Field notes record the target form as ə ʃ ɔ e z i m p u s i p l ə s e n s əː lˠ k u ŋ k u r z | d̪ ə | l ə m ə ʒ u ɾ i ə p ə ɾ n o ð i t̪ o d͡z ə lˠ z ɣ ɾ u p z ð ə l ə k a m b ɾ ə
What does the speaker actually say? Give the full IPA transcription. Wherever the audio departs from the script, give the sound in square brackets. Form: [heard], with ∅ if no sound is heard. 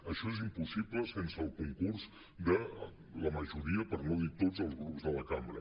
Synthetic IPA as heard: ə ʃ ɔ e z i m p u s i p l ə s e n s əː lˠ k u ŋ k u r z | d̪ ə | l ə m ə ʒ u ɾ i ə p ə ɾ n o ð i t̪ o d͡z ə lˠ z ɣ ɾ u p z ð ə l ə k a m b ɾ ə